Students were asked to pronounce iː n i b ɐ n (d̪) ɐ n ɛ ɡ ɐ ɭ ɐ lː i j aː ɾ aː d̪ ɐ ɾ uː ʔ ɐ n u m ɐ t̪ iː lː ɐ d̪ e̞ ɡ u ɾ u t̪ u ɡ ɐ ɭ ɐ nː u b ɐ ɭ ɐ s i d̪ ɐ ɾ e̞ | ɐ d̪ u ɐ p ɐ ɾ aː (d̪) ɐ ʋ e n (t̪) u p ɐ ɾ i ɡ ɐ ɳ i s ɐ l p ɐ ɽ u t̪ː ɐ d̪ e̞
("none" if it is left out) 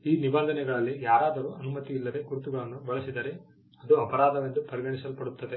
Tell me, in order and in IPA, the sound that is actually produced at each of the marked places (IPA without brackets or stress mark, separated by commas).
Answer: d̪, d̪, d̪